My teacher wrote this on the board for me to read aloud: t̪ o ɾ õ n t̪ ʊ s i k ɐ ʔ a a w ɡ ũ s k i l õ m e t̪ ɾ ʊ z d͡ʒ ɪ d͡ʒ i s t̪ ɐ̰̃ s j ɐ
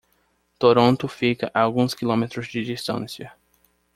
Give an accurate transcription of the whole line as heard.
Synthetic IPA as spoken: t̪ o ɾ õ n t̪ ʊ f i k ɐ ʔ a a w ɡ ũ s k i l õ m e t̪ ɾ ʊ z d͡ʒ ɪ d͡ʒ i s t̪ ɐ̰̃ s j ɐ